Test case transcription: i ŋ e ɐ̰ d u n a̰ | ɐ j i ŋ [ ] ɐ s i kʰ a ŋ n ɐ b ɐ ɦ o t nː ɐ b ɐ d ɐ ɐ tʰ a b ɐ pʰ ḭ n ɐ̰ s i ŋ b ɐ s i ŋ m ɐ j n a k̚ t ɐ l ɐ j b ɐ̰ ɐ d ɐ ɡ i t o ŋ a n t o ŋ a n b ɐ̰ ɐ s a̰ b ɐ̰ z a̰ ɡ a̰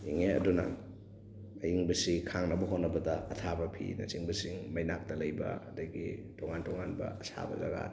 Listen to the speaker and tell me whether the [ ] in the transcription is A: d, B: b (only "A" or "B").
B